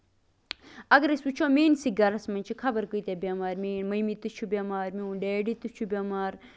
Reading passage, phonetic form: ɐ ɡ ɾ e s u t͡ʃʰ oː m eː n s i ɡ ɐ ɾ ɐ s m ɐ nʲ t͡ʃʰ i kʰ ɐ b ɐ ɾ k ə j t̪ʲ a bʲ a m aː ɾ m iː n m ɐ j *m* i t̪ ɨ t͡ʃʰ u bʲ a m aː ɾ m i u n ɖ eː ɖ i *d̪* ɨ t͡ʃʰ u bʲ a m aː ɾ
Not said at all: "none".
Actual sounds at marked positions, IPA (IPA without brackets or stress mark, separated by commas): m, t̪